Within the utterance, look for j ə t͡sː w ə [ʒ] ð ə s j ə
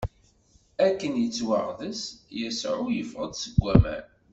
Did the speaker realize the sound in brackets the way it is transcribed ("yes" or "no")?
no